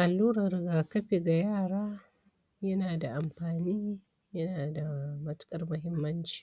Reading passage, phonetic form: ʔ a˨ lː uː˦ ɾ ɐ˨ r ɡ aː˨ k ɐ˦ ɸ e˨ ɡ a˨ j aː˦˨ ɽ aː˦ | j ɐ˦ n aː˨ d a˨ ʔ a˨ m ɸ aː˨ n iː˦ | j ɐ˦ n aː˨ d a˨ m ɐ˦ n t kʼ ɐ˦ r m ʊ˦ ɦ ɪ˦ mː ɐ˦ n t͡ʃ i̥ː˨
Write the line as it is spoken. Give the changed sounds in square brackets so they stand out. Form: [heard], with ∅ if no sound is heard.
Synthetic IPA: ʔ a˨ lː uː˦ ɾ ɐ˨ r ɡ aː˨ k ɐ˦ ɸ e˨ ɡ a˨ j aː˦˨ ɽ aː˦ | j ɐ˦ n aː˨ d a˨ ʔ a˨ m ɸ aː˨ n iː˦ | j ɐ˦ n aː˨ d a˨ m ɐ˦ [∅] t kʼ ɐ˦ r m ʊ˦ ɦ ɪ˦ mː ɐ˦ n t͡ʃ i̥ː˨